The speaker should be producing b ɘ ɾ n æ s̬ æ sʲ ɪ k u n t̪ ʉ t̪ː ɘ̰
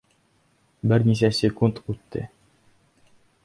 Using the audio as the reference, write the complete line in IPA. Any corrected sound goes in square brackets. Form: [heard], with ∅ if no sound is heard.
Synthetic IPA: b ɘ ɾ n [i] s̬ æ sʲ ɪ k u n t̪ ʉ t̪ː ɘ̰